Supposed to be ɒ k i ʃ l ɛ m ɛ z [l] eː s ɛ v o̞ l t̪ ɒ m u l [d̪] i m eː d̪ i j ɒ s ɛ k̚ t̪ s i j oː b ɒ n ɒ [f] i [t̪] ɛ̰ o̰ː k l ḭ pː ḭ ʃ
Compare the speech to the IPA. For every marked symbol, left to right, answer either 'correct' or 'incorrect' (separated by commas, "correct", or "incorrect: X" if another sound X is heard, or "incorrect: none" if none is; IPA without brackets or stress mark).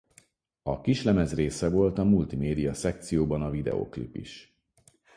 incorrect: r, incorrect: t̪, incorrect: v, incorrect: d̪